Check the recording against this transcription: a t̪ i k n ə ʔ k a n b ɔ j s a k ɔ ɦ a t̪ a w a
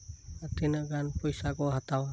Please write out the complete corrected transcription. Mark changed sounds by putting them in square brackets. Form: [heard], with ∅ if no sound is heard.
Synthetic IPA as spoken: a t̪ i [∅] n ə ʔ [ɡ] a n [p] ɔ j s a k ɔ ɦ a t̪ a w a